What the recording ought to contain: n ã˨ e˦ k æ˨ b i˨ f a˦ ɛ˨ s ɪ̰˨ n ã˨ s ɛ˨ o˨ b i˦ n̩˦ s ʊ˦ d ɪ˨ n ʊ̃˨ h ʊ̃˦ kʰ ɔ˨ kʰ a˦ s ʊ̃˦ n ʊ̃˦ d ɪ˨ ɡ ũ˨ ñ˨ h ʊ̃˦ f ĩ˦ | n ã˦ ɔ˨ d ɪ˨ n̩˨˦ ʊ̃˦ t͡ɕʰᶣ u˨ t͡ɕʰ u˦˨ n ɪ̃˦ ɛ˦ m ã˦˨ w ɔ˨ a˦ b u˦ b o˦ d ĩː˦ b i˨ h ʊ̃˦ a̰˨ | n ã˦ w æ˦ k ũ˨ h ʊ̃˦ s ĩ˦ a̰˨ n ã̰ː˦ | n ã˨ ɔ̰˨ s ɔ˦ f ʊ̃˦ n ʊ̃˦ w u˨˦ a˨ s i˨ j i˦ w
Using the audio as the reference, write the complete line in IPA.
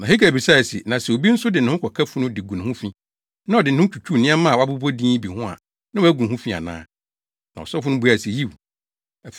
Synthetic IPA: n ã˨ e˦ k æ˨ b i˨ s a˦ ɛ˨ s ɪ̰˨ n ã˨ s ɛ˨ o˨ b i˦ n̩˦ s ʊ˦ d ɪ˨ n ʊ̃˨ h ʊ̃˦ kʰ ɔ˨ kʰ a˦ f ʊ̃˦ n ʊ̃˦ d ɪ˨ ɡ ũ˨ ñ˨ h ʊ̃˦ f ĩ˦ | n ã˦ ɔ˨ d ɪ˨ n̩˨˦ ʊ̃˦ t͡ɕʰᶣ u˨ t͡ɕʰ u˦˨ n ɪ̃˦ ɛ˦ m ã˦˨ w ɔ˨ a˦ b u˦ b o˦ d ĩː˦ b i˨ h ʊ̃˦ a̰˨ | n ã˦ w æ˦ ɡ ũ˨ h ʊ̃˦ f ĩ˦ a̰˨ n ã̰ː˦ | n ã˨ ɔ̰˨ s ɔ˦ f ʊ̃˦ n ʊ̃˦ b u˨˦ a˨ s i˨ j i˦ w